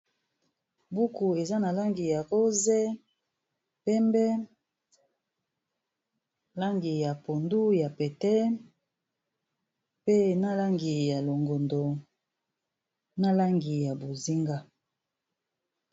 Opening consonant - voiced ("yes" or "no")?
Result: yes